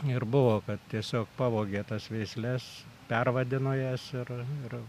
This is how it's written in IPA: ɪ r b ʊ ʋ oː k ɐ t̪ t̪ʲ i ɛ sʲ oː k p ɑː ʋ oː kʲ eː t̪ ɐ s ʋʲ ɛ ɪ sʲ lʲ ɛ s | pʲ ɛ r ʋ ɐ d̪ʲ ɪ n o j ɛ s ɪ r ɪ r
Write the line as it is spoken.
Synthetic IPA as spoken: ɪ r b ʊ ʋ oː k ɐ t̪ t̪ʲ i ɛ sʲ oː k p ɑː ʋ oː ɡʲ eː t̪ ɐ s ʋʲ ɛ ɪ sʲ lʲ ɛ s | pʲ ɛ r ʋ ɐ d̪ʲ ɪ n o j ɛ s ɪ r ɪ r

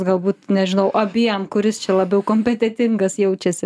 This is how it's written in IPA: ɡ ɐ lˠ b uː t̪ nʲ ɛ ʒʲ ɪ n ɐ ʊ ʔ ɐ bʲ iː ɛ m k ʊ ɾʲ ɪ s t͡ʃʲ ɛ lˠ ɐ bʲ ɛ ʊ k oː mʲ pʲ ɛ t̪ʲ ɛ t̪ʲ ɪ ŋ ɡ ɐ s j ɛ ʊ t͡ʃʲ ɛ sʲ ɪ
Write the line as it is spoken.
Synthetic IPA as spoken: ɡ ɐ lˠ b uː t̪ nʲ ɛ ʒʲ ɪ n ɐ ʊ ʔ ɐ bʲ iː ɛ m k ʊ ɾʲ ɪ s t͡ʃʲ ɛ lˠ ɐ bʲ ɛ ʊ k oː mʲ pʲ ɛ t̪ʲ ɛ t̪ʲ ɪ ŋ ɡ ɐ s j ɛ ʊ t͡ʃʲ ɛ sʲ ɪ

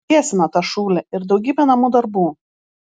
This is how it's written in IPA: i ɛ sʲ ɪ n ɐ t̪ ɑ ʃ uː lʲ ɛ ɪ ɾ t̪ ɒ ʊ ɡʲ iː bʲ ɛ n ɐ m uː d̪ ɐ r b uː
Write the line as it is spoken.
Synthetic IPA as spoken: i ɛ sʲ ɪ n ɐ t̪ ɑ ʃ uː lʲ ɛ ɪ ɾ d̪ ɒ ʊ ɡʲ iː bʲ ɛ n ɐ m uː d̪ ɐ ɾ b uː

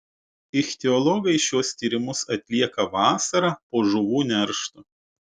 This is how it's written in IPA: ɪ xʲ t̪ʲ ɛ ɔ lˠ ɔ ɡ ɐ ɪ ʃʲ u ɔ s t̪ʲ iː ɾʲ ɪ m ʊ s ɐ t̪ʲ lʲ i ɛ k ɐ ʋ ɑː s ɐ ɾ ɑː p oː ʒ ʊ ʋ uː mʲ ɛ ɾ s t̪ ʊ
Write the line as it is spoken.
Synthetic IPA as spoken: ɪ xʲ t̪ʲ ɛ ɔ lˠ ɔ ɡ ɐ ɪ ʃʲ u ɔ s t̪ʲ iː ɾʲ ɪ m ʊ s ɐ t̪ʲ lʲ i ɛ k ɐ ʋ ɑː s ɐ ɾ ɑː p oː ʒ ʊ ʋ uː nʲ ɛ ɾ ʃ t̪ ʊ

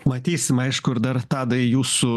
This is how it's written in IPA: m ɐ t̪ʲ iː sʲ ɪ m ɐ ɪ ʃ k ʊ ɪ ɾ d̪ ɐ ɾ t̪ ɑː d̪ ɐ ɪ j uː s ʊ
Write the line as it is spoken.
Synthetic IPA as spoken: m ɐ t̪ʲ iː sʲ ɪ m ɐ ɪ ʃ k ʊ ɪ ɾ d̪ ɐ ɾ t̪ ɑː d̪ ɐ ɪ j uː s ʊ

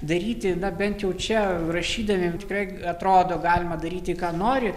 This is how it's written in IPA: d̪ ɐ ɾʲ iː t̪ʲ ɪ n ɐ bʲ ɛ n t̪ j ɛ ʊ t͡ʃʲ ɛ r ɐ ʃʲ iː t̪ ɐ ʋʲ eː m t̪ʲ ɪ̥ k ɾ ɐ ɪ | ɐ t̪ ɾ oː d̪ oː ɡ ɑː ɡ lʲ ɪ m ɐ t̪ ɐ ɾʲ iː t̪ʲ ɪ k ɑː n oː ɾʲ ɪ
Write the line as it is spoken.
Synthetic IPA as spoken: d̪ ɐ ɾʲ iː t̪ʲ ɪ n ɐ bʲ ɛ n t̪ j ɛ ʊ t͡ʃʲ ɛ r ɐ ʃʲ iː d̪ ɐ ʋʲ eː m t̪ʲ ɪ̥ k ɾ ɐ ɪ | ɐ t̪ ɾ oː d̪ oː ɡ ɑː lʲ ɪ m ɐ d̪ ɐ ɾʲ iː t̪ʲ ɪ k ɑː n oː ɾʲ ɪ

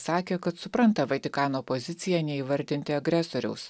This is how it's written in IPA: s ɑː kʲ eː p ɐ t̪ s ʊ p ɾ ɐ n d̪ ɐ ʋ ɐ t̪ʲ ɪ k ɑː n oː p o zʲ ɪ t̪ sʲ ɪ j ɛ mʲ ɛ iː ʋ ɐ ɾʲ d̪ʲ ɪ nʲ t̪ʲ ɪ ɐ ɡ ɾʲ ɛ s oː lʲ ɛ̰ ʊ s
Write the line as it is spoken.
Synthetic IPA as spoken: s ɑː kʲ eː k ɐ t̪ s ʊ p ɾ ɐ n t̪ ɐ ʋ ɐ t̪ʲ ɪ k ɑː n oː p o zʲ ɪ t̪ sʲ ɪ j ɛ nʲ ɛ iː ʋ ɐ ɾʲ d̪ʲ ɪ nʲ t̪ʲ ɪ ɐ ɡ ɾʲ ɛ s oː ɾʲ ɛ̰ ʊ s

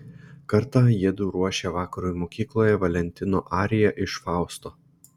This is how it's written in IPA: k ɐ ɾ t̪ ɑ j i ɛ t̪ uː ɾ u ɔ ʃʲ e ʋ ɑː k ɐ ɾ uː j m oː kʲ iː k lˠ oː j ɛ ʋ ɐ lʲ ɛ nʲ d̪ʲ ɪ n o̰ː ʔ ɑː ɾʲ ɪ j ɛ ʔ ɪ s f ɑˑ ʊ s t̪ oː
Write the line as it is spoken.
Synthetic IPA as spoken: k ɐ ɾ t̪ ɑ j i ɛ d̪ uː ɾ u ɔ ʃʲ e ʋ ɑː k ɐ ɾ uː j m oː kʲ iː k lˠ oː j ɛ ʋ ɐ lʲ ɛ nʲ t̪ʲ ɪ n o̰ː ʔ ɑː ɾʲ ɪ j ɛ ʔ ɪ ʃ f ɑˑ ʊ s t̪ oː

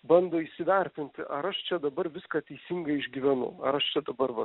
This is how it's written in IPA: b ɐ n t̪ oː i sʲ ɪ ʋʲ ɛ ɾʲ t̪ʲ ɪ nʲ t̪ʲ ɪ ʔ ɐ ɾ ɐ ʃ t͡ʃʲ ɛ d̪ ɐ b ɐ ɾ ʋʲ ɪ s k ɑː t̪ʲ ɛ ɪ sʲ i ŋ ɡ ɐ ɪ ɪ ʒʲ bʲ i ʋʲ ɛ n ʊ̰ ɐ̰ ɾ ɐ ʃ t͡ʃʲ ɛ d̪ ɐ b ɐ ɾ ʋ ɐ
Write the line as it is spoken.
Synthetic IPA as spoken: b ɐ n d̪ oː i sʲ ɪ ʋʲ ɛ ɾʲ t̪ʲ ɪ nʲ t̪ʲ ɪ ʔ ɐ ɾ ɐ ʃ t͡ʃʲ ɛ d̪ ɐ b ɐ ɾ ʋʲ ɪ s k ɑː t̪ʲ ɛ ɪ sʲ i ŋ ɡ ɐ ɪ ɪ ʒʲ ɡʲ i ʋʲ ɛ n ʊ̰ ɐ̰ ɾ ɐ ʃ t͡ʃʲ ɛ d̪ ɐ b ɐ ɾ ʋ ɐ

